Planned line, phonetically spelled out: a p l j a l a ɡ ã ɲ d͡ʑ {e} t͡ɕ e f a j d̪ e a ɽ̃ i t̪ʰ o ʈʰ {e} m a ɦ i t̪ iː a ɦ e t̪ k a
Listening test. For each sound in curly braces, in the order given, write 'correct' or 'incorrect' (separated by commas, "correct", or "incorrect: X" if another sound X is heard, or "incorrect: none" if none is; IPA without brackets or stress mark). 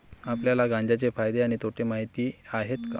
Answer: incorrect: a, correct